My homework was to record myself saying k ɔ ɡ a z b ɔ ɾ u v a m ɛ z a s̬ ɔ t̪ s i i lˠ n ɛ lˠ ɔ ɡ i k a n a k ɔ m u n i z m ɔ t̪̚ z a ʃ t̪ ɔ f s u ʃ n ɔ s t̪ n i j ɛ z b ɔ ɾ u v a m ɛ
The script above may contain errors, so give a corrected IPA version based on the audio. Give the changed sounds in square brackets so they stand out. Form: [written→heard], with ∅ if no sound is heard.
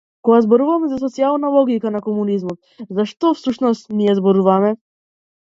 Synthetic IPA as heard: k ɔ ɡ a z b ɔ ɾ u v a m ɛ z a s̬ ɔ t̪ s i [i→a] lˠ n [ɛ→a] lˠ ɔ ɡ i k a n a k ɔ m u n i z m ɔ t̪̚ z a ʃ t̪ ɔ f s u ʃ n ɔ s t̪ n i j ɛ z b ɔ ɾ u v a m ɛ